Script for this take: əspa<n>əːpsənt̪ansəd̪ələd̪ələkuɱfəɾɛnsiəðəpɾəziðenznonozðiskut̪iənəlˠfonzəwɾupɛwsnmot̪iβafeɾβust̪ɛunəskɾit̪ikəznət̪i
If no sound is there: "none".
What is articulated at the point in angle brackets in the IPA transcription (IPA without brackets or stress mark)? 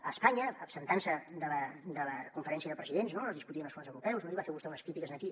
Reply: ɲ